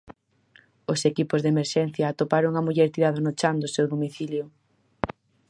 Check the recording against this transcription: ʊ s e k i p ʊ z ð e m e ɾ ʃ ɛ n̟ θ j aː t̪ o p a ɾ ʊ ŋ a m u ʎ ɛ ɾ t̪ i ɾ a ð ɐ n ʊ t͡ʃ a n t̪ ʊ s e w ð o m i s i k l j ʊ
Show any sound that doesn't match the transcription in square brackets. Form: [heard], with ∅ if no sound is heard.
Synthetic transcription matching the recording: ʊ s e k i p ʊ z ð e m e ɾ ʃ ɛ n̟ θ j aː t̪ o p a ɾ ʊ ŋ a m u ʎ ɛ ɾ t̪ i ɾ a ð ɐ n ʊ t͡ʃ a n [d̪] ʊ s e w ð o m i [θ] i [∅] l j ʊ